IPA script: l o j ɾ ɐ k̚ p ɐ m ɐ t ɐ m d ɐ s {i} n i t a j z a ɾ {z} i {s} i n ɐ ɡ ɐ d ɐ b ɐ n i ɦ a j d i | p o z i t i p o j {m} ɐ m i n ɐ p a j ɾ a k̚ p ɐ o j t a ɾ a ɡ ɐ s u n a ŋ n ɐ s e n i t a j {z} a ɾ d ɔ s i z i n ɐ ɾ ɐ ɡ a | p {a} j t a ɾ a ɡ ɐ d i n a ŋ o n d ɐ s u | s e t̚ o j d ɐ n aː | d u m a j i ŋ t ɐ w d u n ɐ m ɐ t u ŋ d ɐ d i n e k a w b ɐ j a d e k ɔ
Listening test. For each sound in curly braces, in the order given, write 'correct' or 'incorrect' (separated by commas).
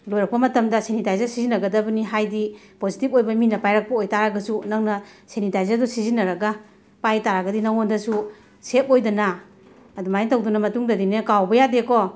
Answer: incorrect, incorrect, incorrect, incorrect, correct, correct